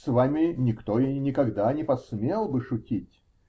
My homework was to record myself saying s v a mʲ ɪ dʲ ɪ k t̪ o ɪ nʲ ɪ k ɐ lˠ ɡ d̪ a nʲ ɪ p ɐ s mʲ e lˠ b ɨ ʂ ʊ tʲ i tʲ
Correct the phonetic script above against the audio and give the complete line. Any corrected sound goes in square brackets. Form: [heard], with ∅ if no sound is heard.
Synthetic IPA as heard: s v a mʲ ɪ [nʲ] ɪ k t̪ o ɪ nʲ ɪ k ɐ [∅] ɡ d̪ a nʲ ɪ p ɐ s mʲ e lˠ b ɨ ʂ ʊ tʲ i tʲ